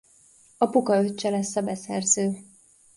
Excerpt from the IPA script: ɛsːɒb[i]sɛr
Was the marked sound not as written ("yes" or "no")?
yes